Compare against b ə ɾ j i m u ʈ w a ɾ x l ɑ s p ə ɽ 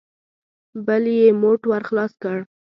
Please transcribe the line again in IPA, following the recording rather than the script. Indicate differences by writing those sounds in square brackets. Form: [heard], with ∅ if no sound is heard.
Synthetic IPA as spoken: b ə [l] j [e] m [o] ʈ w a ɾ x l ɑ s [k] ə ɽ